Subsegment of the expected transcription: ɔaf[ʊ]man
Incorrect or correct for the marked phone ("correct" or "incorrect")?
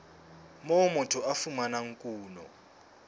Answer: incorrect